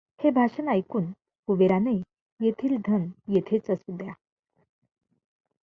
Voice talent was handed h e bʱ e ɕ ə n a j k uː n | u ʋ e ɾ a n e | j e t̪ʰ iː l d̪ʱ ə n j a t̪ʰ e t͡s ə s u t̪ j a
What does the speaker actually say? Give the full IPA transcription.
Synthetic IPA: h e bʱ a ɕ ə n a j k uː n | u ʋ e ɾ a n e | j e t̪ʰ iː l d̪ʱ ə n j e t̪ʰ e t͡s ə s u d̪ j a